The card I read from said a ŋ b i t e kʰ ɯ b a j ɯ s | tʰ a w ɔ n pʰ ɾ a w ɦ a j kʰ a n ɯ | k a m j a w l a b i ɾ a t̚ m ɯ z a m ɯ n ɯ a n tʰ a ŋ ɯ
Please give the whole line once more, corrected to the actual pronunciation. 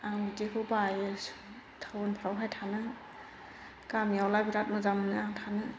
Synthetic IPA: a ŋ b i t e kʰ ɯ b a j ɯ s | tʰ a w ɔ n pʰ ɾ a w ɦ a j tʰ a n ɯ | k a m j a w l a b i ɾ a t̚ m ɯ z a m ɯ n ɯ a ŋ tʰ a n ɯ